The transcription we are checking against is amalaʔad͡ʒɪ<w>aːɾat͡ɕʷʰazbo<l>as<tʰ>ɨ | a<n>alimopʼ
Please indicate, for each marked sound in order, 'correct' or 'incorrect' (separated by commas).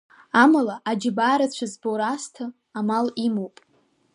incorrect, incorrect, correct, incorrect